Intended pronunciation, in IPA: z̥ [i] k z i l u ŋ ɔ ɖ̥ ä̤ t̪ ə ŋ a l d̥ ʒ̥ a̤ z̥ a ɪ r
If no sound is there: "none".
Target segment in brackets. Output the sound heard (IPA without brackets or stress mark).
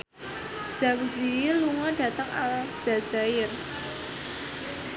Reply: a